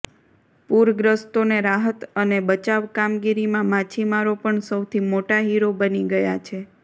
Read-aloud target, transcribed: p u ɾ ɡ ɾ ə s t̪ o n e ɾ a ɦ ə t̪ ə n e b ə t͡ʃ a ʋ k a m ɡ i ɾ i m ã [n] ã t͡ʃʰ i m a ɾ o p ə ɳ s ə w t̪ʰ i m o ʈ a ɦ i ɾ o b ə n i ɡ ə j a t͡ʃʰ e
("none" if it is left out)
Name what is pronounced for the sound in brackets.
m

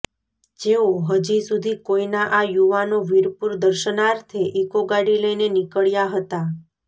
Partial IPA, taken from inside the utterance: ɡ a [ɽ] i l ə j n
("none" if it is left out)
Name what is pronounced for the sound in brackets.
ɽ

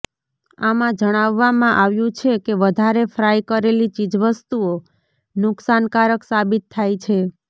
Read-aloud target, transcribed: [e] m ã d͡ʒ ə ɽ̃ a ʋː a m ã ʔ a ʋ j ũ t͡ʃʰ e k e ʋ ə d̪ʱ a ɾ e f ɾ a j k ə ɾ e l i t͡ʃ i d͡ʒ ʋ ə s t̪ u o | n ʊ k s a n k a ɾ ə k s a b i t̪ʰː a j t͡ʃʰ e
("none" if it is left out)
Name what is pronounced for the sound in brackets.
a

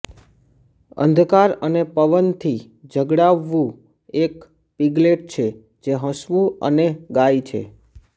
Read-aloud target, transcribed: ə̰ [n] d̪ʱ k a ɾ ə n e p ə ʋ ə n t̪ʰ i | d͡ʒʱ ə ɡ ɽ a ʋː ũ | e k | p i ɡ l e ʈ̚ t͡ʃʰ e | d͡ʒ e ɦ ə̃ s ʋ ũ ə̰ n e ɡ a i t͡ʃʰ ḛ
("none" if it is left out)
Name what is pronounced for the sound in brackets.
n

